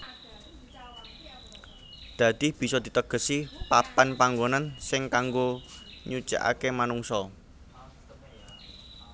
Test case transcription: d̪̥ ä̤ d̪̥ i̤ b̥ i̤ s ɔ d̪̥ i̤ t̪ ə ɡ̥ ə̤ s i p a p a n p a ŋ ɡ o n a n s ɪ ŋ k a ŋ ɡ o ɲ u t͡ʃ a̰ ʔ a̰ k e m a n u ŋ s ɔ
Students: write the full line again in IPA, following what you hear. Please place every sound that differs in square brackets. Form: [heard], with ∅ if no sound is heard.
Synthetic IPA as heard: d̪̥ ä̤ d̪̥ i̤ b̥ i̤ s ɔ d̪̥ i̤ t̪ ə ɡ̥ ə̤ s i p a p a n p a ŋ ɡ o n a n s ɪ ŋ k a ŋ ɡ o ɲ u t͡ʃ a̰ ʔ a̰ k e m a n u ŋ s ɔ